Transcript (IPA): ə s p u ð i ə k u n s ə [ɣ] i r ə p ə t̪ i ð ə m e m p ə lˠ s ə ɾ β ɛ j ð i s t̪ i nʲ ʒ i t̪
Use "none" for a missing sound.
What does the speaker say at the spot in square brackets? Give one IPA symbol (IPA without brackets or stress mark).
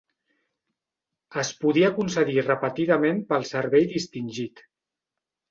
ð